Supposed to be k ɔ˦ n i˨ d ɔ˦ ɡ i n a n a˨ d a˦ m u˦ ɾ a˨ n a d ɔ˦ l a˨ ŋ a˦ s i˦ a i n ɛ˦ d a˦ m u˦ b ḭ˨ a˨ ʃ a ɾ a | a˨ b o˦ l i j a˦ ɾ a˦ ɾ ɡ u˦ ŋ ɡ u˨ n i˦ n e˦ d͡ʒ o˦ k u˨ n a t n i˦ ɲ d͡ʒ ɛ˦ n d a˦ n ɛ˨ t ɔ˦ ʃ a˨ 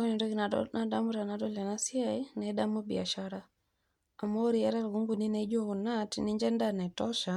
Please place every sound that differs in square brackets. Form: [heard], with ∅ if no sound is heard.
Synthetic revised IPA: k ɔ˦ n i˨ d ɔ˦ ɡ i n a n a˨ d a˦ m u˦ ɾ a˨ n a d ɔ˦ l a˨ [n] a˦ s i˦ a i n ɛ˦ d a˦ m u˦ b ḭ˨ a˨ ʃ a ɾ a | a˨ [m] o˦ [ɾ] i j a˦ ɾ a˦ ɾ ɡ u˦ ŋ ɡ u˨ n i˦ n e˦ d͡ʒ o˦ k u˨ n a t n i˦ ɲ d͡ʒ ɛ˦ n d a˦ n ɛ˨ t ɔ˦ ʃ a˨